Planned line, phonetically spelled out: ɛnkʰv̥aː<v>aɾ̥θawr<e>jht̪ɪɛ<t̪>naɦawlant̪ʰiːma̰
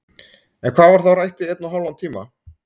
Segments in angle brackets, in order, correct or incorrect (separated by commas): correct, incorrect, correct